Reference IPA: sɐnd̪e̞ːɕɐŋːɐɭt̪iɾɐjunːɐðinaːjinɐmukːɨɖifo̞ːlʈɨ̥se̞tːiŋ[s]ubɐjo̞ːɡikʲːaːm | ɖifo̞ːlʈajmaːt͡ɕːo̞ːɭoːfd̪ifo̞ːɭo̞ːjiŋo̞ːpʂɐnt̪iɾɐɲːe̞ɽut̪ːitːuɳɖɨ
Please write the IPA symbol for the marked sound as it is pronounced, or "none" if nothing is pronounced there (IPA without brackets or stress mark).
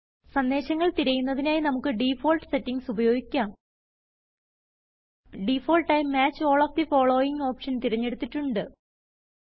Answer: s